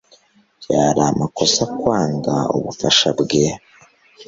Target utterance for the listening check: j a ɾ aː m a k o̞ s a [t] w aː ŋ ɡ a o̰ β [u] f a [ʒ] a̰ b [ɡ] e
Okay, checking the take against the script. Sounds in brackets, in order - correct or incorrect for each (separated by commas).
incorrect, correct, incorrect, correct